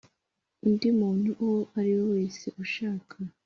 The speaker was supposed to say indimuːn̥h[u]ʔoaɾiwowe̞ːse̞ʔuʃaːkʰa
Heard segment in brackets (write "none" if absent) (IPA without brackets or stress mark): u